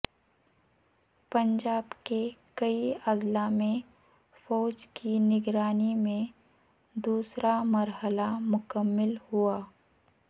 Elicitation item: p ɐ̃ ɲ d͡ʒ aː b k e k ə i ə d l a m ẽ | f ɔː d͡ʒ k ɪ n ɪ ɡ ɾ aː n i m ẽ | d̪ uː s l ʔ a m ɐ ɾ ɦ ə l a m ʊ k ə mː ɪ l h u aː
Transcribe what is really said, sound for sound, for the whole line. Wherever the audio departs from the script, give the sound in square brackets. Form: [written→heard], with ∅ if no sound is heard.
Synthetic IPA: p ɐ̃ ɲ d͡ʒ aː b k e k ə i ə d l a m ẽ | f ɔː d͡ʒ k [ɪ→i] n ɪ ɡ ɾ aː n i m ẽ | d̪ uː s [l→ɾ] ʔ a m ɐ ɾ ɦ ə l a m ʊ k ə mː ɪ l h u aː